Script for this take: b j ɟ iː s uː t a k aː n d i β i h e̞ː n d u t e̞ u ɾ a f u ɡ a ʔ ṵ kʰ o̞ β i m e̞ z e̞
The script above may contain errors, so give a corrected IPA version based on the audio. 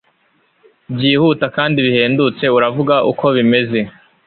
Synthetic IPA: b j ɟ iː h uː t a k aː n d i β i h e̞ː n d u t͡s e̞ u ɾ a v u ɡ a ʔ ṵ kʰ o̞ β i m e̞ z e̞